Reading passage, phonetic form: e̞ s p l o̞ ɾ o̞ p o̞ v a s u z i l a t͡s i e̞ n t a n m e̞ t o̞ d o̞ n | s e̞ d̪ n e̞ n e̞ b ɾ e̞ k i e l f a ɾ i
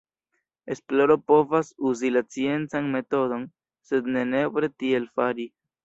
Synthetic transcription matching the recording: e̞ s p l o̞ ɾ o̞ p o̞ v a s u z i l a t͡s i e̞ n t͡s a n m e̞ t o̞ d o̞ n | s e̞ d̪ n e̞ n e̞ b ɾ e̞ t i e l f a ɾ i